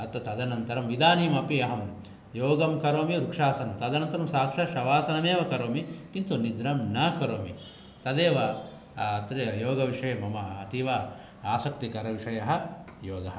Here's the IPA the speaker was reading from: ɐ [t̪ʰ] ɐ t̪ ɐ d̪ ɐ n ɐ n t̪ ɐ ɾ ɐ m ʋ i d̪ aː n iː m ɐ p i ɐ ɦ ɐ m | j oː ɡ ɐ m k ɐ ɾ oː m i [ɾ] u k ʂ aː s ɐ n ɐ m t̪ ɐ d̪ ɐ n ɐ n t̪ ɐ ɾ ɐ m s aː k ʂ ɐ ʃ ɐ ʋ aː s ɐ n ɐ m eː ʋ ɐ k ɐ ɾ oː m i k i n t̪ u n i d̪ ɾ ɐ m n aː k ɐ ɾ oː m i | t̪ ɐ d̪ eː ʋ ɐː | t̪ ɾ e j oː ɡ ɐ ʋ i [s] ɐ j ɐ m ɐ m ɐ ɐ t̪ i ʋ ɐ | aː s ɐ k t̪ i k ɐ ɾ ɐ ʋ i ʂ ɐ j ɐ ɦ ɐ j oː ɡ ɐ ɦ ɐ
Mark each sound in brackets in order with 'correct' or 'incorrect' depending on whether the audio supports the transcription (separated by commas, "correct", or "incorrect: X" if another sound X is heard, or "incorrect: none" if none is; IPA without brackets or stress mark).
incorrect: t̪, correct, incorrect: ʂ